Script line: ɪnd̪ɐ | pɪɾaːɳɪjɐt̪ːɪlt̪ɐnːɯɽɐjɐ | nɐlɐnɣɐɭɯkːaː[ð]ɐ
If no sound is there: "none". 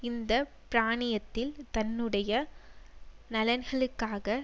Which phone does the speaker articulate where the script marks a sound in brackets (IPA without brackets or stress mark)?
ɣ